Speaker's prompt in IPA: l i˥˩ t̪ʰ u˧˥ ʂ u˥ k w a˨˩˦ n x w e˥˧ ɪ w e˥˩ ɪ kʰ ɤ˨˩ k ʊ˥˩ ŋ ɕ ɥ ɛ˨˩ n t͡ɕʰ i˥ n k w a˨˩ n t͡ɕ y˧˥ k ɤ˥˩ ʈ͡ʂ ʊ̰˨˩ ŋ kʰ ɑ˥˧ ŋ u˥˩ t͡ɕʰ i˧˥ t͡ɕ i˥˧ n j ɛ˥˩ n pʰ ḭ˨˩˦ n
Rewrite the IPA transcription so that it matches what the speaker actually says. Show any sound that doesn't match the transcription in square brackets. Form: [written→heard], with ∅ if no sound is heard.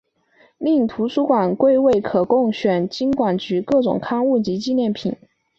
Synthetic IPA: l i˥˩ t̪ʰ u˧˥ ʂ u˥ k w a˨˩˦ n [x→k] w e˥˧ ɪ w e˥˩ ɪ kʰ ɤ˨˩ k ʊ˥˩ ŋ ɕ ɥ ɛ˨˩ n [t͡ɕʰ→t͡ɕ] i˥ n k w a˨˩ n t͡ɕ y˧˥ k ɤ˥˩ ʈ͡ʂ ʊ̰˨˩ ŋ kʰ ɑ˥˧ ŋ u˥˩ [t͡ɕʰ→t͡ɕ] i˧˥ t͡ɕ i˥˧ n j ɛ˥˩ n pʰ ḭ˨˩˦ n